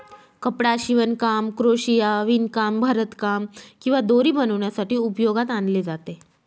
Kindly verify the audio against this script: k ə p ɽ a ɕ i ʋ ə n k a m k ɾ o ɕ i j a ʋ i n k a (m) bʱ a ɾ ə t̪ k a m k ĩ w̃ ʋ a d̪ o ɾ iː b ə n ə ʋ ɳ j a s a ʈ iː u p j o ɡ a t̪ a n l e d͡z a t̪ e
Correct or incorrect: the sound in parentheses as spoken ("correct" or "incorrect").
correct